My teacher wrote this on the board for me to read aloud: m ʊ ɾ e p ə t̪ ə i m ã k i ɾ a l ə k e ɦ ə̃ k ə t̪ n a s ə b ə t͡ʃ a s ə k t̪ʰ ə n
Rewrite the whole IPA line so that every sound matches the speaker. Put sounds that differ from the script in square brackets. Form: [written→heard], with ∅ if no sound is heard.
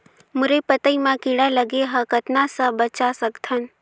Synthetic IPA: m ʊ ɾ e p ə t̪ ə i m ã k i [ɾ→ɽ] a l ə [k→ɡ] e ɦ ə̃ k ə t̪ n a s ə b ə t͡ʃ a s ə k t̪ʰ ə n